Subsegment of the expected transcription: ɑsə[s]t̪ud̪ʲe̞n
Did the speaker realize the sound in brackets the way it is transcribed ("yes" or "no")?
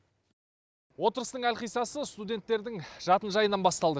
yes